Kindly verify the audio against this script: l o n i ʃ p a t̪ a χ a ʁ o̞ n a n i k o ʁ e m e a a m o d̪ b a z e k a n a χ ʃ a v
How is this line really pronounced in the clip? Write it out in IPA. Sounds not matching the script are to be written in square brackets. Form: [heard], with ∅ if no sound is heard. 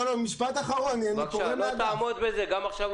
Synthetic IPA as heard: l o [m] i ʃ p a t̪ a χ a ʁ o̞ n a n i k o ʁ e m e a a m o d̪ b [e] z e [ɡ] a [m] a χ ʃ a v

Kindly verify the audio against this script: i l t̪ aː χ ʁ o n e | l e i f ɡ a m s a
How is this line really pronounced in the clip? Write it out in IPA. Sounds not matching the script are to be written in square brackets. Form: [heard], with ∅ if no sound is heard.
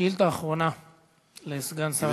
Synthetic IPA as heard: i l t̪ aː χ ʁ o n [a] | l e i [s] ɡ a [n] s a

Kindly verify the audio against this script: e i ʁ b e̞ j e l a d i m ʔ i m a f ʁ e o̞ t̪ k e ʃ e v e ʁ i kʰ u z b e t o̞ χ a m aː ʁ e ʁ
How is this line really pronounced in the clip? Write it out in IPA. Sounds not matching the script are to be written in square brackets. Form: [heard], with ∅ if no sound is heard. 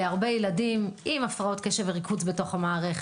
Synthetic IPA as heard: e [a] ʁ b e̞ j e l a d i m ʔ i m a f ʁ [a] o̞ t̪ k e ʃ e v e ʁ i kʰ u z b e t o̞ χ a m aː ʁ e [χ]

